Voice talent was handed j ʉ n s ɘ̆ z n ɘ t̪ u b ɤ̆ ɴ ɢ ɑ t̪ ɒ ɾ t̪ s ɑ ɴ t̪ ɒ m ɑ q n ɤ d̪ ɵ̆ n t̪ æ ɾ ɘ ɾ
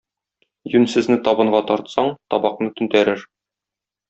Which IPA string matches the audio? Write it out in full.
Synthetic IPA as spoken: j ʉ n s ɘ̆ z n ɘ t̪ ɒ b ɤ̆ ɴ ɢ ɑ t̪ ɒ ɾ t̪ s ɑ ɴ t̪ ɒ b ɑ q n ɤ t̪ ɵ̆ n t̪ æ ɾ ɘ ɾ